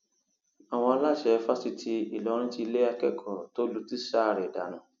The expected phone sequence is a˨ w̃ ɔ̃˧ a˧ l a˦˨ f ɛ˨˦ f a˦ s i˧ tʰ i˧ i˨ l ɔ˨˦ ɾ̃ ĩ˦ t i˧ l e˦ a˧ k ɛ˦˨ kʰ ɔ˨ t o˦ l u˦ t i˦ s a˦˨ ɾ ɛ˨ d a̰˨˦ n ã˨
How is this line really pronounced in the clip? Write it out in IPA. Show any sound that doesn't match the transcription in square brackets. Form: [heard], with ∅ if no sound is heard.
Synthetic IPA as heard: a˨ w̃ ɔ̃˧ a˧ l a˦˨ [ʃ] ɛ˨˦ f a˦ s i˧ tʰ i˧ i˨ l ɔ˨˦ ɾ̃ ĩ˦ t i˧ l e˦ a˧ k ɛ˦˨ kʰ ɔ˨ t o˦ l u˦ t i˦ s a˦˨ ɾ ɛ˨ d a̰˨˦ n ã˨